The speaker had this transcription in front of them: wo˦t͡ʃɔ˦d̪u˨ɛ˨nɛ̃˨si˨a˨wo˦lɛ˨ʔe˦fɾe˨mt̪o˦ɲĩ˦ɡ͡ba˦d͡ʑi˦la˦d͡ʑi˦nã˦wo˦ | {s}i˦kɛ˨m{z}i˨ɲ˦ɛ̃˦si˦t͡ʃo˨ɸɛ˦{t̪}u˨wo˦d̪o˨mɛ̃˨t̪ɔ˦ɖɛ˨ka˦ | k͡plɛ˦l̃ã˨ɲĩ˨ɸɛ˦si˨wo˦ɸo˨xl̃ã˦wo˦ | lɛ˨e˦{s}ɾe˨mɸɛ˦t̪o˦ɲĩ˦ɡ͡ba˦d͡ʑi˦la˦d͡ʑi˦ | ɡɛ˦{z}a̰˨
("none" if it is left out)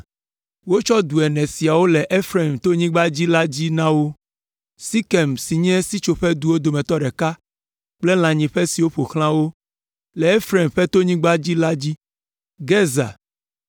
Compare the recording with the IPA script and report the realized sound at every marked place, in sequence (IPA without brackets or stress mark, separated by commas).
s, s, d̪, f, z